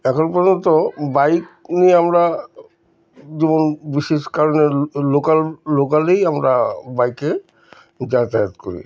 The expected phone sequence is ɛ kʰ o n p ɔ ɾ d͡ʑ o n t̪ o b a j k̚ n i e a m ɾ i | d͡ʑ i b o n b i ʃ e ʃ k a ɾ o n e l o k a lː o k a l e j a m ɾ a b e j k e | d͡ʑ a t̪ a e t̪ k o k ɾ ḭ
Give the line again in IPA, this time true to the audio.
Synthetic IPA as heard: ɛ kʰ o n p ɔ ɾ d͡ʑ o n t̪ o b a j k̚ n i e a m ɾ a | d͡ʑ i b o n b i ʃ e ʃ k a ɾ o n e l o k a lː o k a l e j a m ɾ a b a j k e | d͡ʑ a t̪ a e t̪ k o ɾ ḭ